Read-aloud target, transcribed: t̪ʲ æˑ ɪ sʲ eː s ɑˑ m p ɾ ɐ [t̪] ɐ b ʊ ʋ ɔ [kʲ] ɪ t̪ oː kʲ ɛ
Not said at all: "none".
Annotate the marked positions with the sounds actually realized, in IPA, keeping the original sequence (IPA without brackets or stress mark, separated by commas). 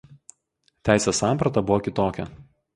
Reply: t̪, kʲ